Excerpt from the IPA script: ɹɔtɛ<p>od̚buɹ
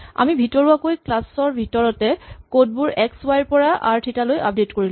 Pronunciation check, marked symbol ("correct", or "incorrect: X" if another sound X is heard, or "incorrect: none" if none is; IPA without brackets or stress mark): incorrect: k